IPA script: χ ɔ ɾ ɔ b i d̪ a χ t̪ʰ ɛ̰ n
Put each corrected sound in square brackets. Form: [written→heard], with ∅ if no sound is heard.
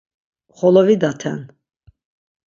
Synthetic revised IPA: χ ɔ [ɾ→l] ɔ [b→v] i d̪ a [χ→∅] t̪ʰ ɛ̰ n

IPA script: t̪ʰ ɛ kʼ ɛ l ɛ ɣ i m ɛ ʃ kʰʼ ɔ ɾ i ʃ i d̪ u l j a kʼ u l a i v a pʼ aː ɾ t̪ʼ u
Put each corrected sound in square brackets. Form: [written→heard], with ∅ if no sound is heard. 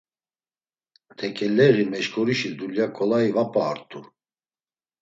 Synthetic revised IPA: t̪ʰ ɛ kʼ ɛ l ɛ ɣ i m ɛ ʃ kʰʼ ɔ ɾ i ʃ i d̪ u l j a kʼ [u→ɔ] l a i v a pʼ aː ɾ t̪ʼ u

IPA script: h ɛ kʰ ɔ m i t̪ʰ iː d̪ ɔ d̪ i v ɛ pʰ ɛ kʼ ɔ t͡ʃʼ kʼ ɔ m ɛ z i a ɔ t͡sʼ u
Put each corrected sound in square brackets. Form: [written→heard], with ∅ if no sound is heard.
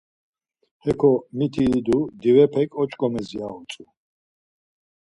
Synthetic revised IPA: h ɛ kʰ ɔ m i t̪ʰ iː d̪ [ɔ→u] d̪ i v ɛ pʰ ɛ kʼ ɔ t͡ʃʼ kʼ ɔ m ɛ z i a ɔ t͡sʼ u

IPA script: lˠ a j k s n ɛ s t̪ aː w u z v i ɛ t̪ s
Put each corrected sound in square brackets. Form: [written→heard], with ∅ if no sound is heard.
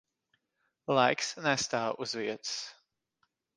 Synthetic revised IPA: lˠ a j k s n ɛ s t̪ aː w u z v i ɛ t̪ s

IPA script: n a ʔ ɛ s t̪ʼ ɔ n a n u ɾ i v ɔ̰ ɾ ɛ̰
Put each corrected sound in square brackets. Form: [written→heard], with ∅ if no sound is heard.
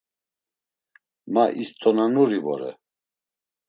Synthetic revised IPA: [n→m] a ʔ [ɛ→i] s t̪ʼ ɔ n a n u ɾ i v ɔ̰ ɾ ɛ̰

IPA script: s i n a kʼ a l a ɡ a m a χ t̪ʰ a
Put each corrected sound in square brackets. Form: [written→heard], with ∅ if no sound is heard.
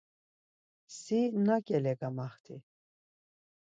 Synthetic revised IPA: s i n a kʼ [a→ɛ] l [a→ɛ] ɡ a m a χ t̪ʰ [a→i]

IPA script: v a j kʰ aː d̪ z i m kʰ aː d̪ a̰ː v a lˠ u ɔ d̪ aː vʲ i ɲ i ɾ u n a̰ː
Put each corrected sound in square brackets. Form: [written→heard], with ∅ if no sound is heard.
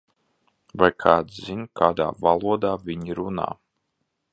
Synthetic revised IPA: v a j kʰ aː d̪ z i [m→n] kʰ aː d̪ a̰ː v a lˠ u ɔ d̪ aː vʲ i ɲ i ɾ u n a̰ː

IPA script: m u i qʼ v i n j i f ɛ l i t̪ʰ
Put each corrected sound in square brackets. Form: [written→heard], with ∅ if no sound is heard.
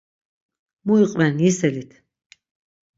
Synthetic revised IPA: m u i qʼ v [i→ɛ] n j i [f→s] ɛ l i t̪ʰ

